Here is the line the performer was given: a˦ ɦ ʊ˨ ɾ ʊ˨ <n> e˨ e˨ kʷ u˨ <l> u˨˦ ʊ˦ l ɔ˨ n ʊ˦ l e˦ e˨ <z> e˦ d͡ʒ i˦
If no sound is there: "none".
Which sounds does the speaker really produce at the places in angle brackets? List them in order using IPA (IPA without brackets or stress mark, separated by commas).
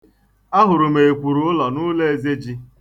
m, ɾ, z